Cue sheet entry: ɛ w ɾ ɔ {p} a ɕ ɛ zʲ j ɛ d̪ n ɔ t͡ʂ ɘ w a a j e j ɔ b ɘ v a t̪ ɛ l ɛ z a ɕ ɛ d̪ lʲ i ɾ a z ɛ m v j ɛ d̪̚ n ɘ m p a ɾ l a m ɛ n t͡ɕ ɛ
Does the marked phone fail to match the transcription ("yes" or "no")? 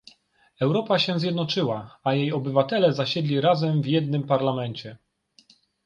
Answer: no